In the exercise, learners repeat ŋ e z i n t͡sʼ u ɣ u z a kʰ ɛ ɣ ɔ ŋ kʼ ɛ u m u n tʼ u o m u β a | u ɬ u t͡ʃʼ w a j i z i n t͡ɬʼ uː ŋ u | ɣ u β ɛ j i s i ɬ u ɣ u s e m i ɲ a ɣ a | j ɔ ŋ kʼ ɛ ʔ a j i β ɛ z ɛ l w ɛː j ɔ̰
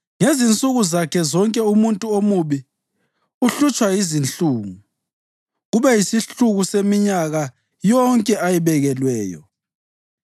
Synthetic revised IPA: ŋ e z i n t͡sʼ u ɣ u z a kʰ ɛ z ɔ ŋ kʼ ɛ u m u n tʼ u o m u β i | u ɬ u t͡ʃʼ w a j i z i n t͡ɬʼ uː ŋ u | ɣ u β ɛ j i s i ɬ u ɣ u s e m i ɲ a ɣ a | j ɔ ŋ kʼ ɛ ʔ a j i β ɛ ɣ ɛ l w ɛː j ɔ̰